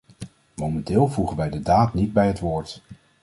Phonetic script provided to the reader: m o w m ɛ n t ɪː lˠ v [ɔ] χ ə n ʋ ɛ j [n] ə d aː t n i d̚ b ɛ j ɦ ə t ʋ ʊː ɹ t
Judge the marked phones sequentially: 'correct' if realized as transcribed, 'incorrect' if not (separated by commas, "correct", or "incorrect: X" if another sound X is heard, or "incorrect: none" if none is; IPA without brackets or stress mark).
incorrect: u, incorrect: d